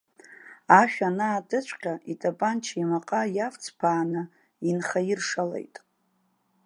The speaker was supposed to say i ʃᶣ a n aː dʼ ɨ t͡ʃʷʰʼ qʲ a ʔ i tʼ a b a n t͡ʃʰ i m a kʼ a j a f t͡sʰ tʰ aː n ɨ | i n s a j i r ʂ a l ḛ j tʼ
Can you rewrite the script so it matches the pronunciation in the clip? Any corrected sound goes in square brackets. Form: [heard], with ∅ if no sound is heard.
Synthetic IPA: [a] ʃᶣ a n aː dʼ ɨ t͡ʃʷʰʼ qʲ a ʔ i tʼ a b a n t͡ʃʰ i m a [qʼ] a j a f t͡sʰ [pʰ] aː n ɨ | i n [χ] a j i r ʂ a l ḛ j tʼ

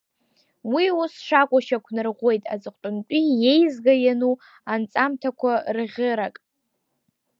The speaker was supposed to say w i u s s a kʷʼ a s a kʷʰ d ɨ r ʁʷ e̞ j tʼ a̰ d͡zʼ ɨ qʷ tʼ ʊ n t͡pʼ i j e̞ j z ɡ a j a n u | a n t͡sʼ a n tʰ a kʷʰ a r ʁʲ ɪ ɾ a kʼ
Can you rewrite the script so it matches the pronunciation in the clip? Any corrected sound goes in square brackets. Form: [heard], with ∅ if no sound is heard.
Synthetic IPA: w i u s [ʂ] a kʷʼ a [ʃ] a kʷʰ [n] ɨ r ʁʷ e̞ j tʼ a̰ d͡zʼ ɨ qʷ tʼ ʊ n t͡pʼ i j e̞ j z ɡ a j a n u | a n t͡sʼ a [m] tʰ a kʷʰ a r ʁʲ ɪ ɾ a kʼ

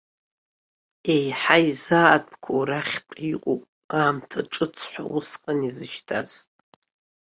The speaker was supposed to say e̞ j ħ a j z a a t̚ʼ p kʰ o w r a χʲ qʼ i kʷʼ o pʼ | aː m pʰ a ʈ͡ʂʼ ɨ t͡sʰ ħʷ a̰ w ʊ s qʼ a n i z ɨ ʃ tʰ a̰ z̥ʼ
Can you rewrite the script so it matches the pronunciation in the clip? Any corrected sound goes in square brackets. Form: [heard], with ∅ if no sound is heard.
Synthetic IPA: e̞ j ħ a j z a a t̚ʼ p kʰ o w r a χʲ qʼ i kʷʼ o pʼ | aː m [tʰ] a ʈ͡ʂʼ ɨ t͡sʰ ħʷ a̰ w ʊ s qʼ a n i z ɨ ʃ tʰ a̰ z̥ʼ

